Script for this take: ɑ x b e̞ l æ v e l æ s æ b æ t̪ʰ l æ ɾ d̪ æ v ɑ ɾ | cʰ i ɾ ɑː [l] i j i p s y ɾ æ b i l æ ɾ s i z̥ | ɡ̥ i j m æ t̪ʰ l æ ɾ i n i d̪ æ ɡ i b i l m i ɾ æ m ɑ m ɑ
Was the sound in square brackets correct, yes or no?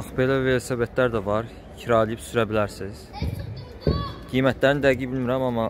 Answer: yes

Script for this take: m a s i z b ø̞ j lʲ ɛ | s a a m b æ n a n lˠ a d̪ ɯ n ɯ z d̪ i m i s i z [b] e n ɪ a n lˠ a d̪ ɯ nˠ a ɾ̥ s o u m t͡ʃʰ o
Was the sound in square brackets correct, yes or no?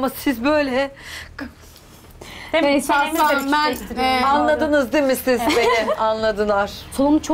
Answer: yes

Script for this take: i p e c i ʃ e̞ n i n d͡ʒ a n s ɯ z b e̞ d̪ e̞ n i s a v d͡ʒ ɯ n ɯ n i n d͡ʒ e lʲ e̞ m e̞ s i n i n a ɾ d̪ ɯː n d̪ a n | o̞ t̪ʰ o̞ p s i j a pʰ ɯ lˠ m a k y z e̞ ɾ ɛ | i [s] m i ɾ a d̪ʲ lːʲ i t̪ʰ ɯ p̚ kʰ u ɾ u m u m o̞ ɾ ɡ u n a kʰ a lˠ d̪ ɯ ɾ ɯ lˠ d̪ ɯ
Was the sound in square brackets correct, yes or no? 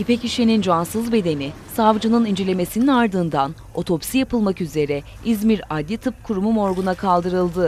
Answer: no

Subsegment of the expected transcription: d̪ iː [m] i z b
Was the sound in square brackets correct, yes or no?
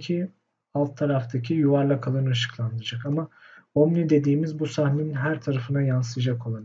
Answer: yes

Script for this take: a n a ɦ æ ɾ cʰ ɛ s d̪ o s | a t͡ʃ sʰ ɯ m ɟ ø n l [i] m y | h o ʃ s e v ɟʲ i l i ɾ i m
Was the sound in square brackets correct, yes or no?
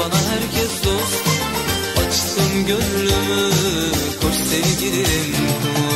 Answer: no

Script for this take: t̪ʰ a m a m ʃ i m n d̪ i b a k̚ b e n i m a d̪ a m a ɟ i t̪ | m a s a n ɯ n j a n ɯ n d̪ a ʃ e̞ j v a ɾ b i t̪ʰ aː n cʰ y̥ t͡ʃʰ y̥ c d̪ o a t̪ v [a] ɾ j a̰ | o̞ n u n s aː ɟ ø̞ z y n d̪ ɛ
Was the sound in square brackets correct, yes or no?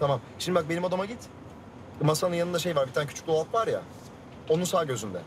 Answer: yes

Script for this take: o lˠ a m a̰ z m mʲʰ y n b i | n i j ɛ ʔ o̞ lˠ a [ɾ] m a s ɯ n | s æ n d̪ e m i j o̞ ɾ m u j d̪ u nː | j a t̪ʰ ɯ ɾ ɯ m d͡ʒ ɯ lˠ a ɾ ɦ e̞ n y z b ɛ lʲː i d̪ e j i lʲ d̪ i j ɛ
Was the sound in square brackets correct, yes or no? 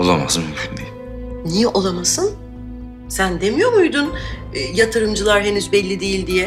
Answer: no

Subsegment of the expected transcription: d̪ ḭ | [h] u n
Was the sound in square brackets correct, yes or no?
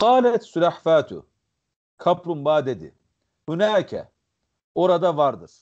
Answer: yes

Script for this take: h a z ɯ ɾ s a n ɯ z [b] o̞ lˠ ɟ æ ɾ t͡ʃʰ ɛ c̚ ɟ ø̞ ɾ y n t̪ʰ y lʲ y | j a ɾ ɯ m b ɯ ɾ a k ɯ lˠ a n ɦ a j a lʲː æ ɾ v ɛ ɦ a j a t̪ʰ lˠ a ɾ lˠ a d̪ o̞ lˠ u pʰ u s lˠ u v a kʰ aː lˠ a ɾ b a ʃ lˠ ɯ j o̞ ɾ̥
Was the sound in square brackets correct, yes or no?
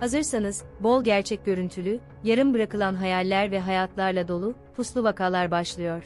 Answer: yes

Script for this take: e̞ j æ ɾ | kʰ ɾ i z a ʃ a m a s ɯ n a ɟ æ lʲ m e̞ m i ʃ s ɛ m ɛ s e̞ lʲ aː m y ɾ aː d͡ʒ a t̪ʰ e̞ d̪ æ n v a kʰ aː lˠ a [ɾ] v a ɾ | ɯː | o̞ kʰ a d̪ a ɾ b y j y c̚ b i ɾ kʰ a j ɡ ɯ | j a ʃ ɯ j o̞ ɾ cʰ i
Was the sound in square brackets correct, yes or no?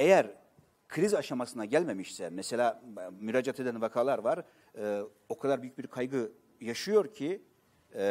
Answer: yes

